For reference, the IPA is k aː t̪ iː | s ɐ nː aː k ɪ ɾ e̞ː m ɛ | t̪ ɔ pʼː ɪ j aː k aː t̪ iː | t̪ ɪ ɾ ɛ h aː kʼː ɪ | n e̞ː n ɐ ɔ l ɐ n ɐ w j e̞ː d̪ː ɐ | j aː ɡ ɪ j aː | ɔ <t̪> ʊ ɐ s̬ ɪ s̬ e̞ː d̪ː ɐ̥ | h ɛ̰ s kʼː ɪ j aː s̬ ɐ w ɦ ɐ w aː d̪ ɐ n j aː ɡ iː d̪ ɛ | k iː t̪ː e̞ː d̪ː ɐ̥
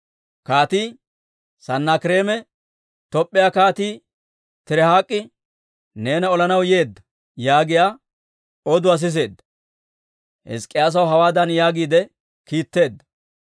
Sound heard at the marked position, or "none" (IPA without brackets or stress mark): d̪